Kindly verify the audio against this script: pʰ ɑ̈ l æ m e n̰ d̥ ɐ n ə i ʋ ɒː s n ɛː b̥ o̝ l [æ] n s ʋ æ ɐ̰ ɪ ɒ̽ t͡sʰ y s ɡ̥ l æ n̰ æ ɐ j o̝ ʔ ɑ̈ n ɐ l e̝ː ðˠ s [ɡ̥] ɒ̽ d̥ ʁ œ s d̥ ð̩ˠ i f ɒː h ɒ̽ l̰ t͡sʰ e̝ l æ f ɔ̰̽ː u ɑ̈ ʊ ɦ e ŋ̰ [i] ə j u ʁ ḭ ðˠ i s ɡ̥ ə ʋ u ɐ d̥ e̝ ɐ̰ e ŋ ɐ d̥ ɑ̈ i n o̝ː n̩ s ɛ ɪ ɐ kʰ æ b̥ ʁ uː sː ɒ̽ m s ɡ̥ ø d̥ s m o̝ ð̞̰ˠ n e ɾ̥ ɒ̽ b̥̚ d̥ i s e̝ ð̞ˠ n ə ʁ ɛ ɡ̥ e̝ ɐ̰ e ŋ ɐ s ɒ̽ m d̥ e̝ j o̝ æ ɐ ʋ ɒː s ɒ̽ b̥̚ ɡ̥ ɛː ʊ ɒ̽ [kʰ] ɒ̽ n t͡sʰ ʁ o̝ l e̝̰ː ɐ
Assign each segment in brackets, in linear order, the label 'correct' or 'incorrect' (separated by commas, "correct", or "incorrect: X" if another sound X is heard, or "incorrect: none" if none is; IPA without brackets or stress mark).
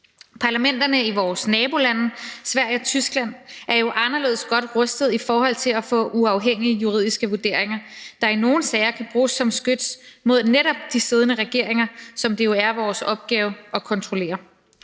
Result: correct, correct, correct, correct